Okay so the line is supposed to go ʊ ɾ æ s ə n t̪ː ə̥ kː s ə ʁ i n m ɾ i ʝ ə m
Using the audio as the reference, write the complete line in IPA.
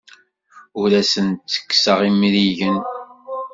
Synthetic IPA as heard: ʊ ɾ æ s ə n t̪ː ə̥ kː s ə ʁ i m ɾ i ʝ ə n